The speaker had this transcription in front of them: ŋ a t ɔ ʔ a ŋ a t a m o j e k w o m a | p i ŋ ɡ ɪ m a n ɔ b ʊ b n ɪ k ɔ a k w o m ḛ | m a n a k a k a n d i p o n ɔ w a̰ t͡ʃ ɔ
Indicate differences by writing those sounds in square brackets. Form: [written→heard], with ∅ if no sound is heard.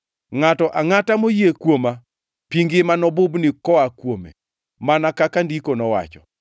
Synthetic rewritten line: ŋ a t ɔ ʔ a ŋ a t a m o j e k w o m a | p i ŋ ɡ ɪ m a n ɔ b ʊ b n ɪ k ɔ a k w o m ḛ | m a n a k a k a n d i [p→k] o n ɔ w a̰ t͡ʃ ɔ